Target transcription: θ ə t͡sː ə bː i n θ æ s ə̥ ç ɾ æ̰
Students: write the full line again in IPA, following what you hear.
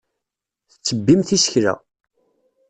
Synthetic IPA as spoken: θ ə t͡sː ə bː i m θ i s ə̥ ç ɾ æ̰